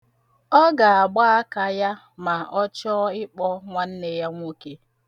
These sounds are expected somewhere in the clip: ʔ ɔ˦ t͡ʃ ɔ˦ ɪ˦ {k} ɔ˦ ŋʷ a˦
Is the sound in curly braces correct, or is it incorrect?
incorrect